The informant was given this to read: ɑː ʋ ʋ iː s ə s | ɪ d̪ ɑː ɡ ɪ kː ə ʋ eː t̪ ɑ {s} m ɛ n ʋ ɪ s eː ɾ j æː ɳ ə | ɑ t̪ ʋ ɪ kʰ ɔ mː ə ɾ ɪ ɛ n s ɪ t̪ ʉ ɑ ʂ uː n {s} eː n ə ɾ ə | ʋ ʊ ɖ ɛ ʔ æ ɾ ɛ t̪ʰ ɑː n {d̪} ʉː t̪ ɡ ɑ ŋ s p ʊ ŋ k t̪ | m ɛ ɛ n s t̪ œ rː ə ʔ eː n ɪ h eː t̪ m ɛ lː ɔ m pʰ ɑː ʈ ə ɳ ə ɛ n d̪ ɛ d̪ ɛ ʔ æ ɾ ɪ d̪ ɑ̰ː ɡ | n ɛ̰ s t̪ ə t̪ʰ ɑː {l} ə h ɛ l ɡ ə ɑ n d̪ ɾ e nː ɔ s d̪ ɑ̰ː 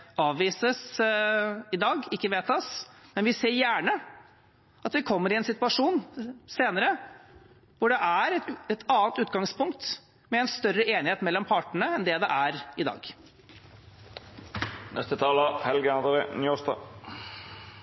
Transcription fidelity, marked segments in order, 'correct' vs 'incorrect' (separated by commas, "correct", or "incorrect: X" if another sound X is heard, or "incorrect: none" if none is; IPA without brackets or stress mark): correct, correct, incorrect: t̪, correct